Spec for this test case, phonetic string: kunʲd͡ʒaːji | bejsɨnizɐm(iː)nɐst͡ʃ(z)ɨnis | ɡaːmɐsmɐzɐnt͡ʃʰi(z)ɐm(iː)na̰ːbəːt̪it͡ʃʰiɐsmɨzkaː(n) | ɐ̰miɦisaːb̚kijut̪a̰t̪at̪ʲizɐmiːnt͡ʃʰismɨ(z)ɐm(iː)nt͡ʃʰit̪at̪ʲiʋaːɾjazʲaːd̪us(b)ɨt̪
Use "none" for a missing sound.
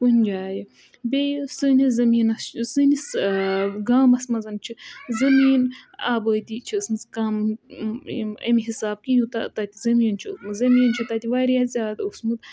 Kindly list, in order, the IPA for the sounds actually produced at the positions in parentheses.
iː, s, z, iː, m, z, iː, m

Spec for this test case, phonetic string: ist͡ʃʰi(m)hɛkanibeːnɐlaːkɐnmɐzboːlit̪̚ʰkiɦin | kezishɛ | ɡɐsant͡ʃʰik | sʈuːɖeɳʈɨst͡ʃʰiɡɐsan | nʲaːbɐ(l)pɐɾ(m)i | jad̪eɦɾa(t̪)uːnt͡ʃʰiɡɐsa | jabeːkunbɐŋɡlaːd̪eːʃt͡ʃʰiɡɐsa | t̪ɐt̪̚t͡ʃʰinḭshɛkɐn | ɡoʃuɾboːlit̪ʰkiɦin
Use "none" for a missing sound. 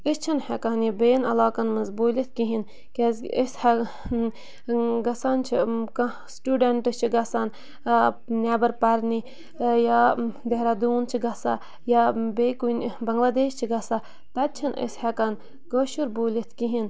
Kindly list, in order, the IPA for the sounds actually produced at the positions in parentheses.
n, ɾ, n, d̪

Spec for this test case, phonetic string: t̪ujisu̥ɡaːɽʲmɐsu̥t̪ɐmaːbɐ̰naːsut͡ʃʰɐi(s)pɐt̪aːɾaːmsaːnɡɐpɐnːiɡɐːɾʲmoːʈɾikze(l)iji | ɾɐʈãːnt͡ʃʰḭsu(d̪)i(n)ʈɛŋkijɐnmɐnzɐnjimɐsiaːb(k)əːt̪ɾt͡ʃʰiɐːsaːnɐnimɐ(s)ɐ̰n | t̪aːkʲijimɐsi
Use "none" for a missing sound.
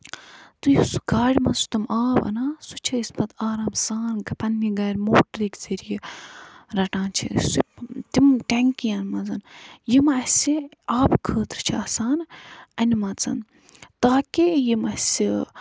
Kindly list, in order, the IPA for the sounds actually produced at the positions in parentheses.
s, ɾ, t̪, m, kʰ, t͡s

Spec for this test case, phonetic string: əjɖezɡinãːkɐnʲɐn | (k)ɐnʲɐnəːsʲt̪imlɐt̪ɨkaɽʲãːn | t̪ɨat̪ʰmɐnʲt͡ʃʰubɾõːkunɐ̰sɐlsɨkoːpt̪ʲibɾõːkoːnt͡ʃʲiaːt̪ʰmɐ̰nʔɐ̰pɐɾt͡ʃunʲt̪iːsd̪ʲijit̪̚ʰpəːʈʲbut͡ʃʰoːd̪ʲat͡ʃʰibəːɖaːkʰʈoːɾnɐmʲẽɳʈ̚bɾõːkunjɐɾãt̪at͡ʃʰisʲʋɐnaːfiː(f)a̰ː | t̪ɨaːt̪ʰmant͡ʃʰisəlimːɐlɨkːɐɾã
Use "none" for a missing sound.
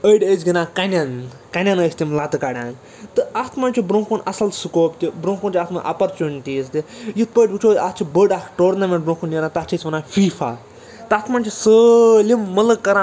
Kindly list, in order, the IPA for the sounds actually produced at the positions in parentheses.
k, f

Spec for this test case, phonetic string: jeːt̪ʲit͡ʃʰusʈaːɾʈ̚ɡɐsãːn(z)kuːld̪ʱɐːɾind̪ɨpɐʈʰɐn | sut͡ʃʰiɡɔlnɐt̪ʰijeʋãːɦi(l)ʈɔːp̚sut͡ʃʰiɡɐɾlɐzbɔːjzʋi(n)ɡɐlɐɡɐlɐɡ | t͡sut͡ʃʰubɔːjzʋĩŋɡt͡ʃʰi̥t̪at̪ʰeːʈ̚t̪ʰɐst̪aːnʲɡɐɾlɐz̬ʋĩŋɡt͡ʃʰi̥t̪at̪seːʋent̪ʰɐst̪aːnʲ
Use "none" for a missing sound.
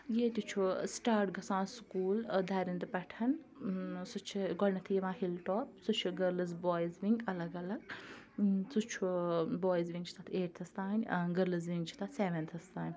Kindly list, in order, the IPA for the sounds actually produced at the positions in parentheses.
s, l, ŋ

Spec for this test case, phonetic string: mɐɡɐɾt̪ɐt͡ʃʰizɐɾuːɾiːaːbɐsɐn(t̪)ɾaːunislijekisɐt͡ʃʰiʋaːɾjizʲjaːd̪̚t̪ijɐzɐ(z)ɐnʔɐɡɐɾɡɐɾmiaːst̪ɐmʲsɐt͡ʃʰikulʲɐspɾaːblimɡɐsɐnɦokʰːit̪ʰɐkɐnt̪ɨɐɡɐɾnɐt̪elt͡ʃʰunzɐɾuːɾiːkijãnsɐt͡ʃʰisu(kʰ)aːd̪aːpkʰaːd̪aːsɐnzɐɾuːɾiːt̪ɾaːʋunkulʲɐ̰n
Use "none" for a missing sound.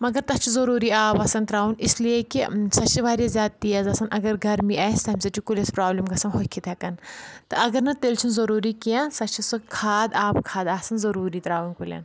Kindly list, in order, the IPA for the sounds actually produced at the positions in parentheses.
t̪, s, kʰ

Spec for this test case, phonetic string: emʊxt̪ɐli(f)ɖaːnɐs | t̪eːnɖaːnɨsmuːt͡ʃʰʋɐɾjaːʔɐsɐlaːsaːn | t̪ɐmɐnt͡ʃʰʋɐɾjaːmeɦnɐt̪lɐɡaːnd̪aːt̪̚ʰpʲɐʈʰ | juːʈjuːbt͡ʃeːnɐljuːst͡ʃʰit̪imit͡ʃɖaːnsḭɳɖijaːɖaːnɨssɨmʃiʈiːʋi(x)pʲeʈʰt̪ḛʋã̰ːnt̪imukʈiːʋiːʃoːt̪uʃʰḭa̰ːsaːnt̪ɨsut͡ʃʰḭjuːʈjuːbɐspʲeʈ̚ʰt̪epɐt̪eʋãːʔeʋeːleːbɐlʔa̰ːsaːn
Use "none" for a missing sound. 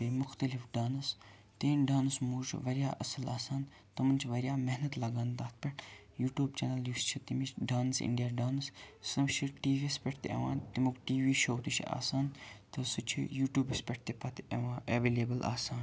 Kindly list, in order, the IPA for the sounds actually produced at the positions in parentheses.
f, s

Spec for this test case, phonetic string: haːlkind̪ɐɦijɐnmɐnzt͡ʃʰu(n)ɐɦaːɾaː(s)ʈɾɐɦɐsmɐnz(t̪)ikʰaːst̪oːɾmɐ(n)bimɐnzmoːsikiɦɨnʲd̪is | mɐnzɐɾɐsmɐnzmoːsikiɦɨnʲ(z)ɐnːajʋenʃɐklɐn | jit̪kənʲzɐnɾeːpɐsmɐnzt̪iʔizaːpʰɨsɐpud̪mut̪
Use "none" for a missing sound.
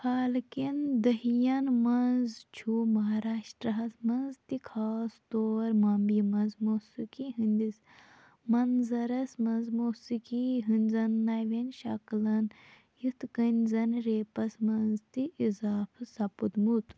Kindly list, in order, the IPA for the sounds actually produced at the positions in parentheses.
m, ʃ, t̪, m, z

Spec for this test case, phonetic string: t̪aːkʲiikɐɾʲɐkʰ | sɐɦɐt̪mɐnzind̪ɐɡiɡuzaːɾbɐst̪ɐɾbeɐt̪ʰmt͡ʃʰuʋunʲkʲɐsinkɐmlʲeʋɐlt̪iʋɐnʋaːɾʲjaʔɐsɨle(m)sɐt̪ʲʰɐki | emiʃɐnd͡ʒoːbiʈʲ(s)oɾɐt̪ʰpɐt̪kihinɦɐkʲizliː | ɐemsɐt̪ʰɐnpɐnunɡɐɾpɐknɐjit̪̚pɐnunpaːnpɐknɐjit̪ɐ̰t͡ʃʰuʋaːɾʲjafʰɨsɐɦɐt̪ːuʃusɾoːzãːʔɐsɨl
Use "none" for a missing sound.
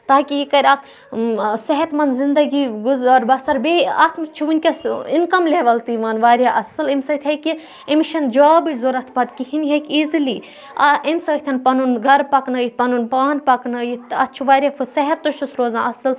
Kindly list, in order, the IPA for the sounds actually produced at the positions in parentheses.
m, z

